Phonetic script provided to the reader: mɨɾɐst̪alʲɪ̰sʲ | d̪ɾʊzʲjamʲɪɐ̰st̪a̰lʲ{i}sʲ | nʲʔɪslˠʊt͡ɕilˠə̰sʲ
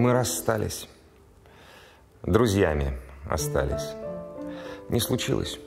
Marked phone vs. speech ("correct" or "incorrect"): incorrect